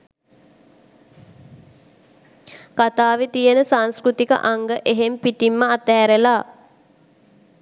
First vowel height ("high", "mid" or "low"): low